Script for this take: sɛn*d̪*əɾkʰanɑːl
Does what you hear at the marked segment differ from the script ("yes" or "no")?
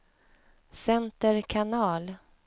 yes